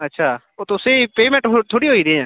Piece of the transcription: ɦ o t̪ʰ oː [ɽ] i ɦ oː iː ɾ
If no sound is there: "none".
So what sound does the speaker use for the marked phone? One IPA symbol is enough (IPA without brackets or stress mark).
ɽ